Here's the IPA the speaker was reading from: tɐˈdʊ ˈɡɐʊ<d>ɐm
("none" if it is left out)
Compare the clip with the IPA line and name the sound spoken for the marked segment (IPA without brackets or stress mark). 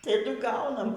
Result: n